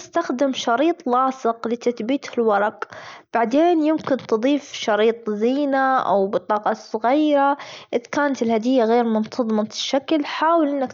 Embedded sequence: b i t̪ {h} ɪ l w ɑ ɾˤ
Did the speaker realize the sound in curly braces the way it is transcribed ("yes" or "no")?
yes